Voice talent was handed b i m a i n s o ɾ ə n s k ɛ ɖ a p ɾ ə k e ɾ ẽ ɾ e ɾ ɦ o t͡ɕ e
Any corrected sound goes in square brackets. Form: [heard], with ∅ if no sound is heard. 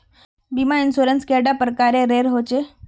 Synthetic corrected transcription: b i m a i n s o ɾ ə n s k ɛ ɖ a p ɾ ə k [a] ɾ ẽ ɾ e ɾ ɦ o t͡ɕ e